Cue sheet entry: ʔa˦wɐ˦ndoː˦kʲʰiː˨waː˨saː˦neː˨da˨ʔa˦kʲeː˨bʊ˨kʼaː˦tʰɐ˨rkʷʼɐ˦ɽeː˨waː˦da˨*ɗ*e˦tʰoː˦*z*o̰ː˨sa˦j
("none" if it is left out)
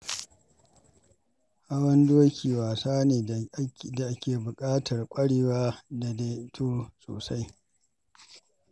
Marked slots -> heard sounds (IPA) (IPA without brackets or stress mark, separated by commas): d, s